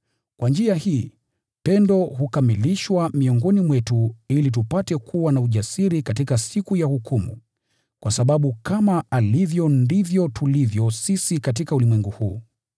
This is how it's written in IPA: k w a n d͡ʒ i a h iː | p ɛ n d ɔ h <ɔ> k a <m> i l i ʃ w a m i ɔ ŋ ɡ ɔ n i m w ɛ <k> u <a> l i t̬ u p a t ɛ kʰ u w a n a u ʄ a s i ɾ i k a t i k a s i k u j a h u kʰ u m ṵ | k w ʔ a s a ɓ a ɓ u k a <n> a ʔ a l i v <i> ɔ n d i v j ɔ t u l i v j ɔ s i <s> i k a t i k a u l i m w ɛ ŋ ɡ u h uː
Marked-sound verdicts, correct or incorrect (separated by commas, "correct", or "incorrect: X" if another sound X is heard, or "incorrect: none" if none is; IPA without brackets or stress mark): incorrect: u, correct, incorrect: t, incorrect: i, incorrect: m, incorrect: j, correct